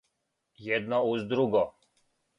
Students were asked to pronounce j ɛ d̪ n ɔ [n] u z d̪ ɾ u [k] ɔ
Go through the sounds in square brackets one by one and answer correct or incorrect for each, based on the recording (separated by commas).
incorrect, incorrect